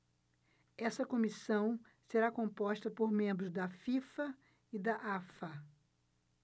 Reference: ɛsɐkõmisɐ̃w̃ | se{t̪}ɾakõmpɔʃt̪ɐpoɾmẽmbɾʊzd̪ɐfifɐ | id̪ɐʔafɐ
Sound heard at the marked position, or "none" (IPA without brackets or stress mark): none